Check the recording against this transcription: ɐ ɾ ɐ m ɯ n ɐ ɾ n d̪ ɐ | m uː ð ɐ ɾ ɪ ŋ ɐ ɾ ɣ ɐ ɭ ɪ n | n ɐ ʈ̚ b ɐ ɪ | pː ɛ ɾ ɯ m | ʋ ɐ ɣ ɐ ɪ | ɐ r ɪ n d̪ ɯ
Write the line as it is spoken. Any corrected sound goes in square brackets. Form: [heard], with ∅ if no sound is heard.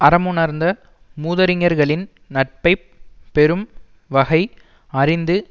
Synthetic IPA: ɐ ɾ ɐ m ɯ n ɐ ɾ n d̪ ɐ | m uː ð ɐ ɾ ɪ ŋ ɐ ɾ ɣ ɐ ɭ ɪ n | n ɐ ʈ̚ [p] ɐ ɪ | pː ɛ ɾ ɯ m | ʋ ɐ ɣ ɐ ɪ | ɐ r ɪ n d̪ ɯ